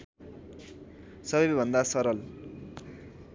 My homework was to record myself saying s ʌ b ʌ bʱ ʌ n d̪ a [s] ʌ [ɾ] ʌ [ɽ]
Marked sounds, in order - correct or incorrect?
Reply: correct, correct, incorrect: l

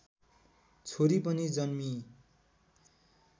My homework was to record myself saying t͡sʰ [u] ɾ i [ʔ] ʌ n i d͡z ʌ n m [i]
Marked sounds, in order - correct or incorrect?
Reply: incorrect: o, incorrect: p, correct

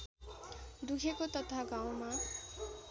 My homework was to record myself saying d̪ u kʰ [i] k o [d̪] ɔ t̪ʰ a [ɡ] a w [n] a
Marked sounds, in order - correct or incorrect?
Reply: incorrect: e, incorrect: t̪, correct, incorrect: m

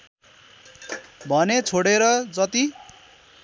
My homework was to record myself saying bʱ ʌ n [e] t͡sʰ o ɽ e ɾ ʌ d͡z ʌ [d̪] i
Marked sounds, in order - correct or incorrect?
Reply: correct, incorrect: t̪

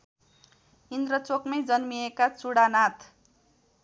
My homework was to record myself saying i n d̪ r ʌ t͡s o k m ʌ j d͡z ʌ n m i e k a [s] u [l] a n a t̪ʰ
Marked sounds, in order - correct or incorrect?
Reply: incorrect: t͡s, incorrect: ɽ

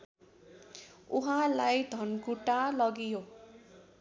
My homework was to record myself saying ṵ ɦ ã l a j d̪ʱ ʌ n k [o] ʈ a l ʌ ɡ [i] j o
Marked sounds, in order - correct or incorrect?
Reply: incorrect: u, correct

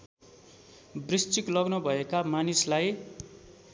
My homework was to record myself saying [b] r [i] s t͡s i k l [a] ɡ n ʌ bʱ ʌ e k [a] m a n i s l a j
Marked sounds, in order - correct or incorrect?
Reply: correct, correct, incorrect: ʌ, correct

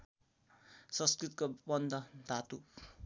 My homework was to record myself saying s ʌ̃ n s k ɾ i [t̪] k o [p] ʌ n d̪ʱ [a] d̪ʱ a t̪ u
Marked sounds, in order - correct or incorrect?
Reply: correct, incorrect: b, incorrect: ʌ

